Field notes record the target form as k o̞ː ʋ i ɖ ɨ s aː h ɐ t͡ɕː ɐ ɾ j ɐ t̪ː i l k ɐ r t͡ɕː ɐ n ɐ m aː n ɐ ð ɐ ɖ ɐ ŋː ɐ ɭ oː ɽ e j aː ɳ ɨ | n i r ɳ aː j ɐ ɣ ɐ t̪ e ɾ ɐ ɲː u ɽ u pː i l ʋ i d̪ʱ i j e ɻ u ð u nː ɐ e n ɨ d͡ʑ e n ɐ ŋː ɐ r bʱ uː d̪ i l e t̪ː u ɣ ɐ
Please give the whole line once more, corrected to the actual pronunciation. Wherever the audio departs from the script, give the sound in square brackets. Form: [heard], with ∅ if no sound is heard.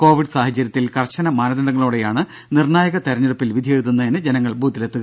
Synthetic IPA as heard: k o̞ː ʋ i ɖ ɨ s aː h ɐ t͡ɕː ɐ ɾ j ɐ t̪ː i l k ɐ r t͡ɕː ɐ n ɐ m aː n ɐ ð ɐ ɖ ɐ ŋː ɐ ɭ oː ɽ e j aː ɳ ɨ | n i r ɳ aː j ɐ ɣ ɐ t̪ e ɾ ɐ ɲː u ɽ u pː i l ʋ i d̪ʱ i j e ɻ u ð u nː ɐ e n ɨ d͡ʑ e n ɐ ŋː ɐ [ɭ] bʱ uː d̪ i l e t̪ː u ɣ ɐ